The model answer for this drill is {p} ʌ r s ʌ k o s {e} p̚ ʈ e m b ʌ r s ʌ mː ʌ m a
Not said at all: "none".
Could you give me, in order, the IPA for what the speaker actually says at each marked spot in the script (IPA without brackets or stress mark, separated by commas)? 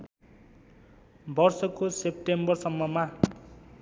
b, e